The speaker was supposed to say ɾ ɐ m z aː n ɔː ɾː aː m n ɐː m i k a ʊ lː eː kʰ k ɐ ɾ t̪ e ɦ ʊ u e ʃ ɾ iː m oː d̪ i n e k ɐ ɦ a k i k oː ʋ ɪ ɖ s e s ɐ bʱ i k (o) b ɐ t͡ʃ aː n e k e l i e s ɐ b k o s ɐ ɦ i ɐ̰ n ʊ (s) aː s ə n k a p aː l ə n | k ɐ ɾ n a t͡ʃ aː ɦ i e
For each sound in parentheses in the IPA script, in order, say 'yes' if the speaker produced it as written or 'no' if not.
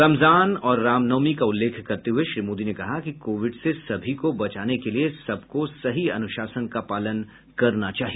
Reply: yes, no

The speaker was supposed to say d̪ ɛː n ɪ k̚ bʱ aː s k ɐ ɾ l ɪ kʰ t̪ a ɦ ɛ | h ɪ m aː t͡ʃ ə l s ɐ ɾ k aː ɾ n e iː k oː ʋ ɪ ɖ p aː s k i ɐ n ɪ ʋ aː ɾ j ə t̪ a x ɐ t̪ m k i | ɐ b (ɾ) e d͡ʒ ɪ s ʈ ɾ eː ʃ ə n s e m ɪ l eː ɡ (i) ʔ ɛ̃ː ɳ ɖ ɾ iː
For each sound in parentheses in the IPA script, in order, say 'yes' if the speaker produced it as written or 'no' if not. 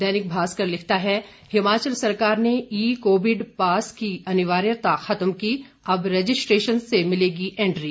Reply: yes, yes

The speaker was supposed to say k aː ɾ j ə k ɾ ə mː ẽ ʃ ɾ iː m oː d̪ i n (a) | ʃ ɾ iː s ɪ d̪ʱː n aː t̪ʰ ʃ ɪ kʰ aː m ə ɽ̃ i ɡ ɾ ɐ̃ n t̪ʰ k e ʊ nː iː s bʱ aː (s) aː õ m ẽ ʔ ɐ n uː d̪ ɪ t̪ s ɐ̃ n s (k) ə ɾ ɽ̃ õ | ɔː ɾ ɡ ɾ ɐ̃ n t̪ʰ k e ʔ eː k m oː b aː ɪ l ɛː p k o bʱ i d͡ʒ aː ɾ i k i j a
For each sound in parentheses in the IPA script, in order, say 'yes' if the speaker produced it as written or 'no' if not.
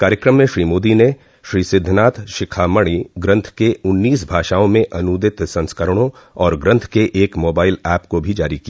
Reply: no, no, yes

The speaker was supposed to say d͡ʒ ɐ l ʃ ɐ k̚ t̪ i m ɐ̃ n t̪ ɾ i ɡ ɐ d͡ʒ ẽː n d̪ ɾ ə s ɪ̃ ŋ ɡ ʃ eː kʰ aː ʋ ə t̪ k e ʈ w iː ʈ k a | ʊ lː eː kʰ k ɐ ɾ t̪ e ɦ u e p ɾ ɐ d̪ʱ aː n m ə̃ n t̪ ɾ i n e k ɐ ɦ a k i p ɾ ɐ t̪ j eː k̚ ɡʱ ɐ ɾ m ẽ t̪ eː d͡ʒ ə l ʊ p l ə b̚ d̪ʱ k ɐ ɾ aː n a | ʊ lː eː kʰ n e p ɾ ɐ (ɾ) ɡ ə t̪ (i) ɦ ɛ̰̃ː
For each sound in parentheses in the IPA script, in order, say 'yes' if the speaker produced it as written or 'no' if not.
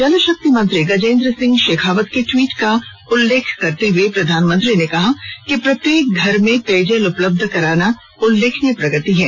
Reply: no, yes

